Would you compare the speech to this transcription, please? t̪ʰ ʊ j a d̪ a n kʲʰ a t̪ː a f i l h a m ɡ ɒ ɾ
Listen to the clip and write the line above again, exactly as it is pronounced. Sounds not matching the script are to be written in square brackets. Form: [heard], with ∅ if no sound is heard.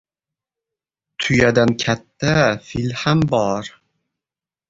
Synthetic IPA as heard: t̪ʰ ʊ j a d̪ a n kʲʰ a t̪ː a f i l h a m [b] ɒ ɾ